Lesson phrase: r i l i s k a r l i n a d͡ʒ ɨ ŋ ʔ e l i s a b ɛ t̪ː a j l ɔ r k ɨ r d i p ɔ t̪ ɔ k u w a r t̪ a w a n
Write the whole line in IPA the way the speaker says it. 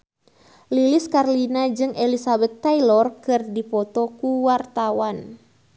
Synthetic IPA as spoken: l i l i s k a r l i n a d͡ʒ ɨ ŋ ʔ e l i s a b ɛ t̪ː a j l ɔ r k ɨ r d i p ɔ t̪ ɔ k u w a r t̪ a w a n